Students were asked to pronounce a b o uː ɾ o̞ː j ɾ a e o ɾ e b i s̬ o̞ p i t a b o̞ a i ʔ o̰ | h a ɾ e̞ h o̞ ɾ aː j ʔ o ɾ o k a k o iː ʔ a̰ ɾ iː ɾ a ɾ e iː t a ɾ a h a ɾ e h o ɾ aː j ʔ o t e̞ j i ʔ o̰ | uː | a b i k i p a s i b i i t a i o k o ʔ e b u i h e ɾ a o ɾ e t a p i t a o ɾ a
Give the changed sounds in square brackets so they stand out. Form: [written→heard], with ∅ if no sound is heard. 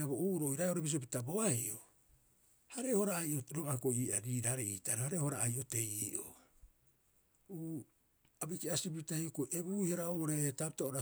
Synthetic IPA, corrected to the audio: a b o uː ɾ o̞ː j ɾ a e o ɾ e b i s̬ o̞ p i t a b o̞ a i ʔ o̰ | h a ɾ e̞ h o̞ ɾ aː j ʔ o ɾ o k a k o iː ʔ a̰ ɾ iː ɾ a ɾ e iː t a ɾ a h a ɾ e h o ɾ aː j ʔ o t e̞ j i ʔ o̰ | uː | a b i k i [p→∅] a s i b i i t a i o k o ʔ e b u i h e ɾ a o ɾ e t a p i t a o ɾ a

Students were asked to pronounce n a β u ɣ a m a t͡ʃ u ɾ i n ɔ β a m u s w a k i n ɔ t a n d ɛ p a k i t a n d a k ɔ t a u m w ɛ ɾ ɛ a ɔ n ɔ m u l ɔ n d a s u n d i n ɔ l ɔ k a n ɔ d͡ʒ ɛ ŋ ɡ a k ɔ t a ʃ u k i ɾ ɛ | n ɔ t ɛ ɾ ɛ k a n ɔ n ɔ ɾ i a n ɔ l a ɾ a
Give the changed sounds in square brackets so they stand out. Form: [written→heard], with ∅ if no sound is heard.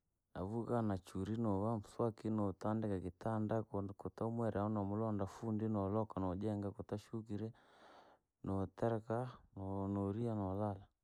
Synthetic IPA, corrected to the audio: n a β u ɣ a [m→n] a t͡ʃ u ɾ i n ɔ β a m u s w a k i n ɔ t a n d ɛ [p→k] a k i t a n d a k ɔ t a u m w ɛ ɾ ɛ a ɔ n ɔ m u l ɔ n d a [s→f] u n d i n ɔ l ɔ k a n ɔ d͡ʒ ɛ ŋ ɡ a k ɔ t a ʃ u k i ɾ ɛ | n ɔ t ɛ ɾ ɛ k a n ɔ n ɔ ɾ i a n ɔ l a [ɾ→l] a

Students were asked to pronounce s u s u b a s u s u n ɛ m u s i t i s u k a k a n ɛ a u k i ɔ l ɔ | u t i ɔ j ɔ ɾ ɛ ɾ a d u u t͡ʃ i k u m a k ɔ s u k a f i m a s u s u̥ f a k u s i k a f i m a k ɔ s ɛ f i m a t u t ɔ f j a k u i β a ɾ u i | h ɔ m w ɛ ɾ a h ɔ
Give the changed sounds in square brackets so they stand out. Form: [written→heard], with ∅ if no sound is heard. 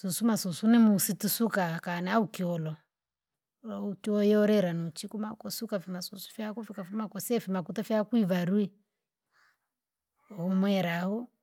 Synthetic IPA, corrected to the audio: s u s u [b→m] a s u s u n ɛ m u s i t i s u k a k a n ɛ a u k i ɔ l ɔ | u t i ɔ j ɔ ɾ ɛ ɾ a [d→n] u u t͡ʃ i k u m a k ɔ s u k a f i m a s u s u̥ f a k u [s→f] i k a f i m a k ɔ s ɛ f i m a [t→k] u t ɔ f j a k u i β a ɾ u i | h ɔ m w ɛ ɾ a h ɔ

